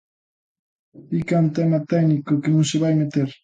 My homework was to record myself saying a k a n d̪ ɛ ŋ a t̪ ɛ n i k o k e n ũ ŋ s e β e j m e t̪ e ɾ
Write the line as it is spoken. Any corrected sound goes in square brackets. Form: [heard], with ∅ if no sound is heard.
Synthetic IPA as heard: [i] k a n [t̪] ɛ [m] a t̪ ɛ n i k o k e n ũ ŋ s e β [a] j m e t̪ e ɾ

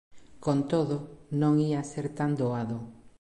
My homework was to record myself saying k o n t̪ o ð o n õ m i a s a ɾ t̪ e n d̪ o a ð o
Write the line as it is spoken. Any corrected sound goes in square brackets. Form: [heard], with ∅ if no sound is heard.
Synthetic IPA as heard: k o n t̪ o ð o n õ [ŋ] i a s [e] ɾ t̪ [a] n d̪ o a ð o

